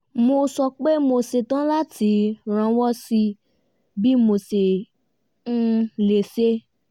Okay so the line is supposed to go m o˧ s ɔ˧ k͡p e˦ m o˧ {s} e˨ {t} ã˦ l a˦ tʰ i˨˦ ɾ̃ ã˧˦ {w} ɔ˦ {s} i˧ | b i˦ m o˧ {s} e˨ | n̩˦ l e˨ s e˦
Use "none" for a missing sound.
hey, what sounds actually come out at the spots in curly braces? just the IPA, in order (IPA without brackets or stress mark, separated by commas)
s, t, w, s, s